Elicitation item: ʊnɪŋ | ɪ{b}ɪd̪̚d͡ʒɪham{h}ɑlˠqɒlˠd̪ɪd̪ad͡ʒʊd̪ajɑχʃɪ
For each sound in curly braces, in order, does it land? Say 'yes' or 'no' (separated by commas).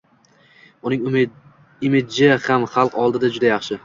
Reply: no, no